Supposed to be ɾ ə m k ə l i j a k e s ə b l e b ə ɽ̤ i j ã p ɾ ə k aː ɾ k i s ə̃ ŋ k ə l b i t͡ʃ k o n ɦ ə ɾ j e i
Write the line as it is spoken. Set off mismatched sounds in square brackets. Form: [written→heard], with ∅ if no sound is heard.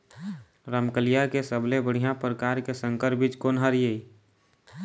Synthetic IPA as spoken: ɾ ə m k ə l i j a k e s ə b l e b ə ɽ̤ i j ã p ɾ ə k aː ɾ k [i→e] s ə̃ ŋ k ə [l→ɾ] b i t͡ʃ k o n ɦ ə ɾ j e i